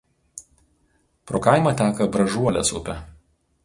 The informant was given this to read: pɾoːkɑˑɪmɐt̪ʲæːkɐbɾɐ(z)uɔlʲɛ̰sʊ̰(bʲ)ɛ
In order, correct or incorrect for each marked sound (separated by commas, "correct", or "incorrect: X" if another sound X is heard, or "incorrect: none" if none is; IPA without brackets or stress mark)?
incorrect: ʒ, incorrect: pʲ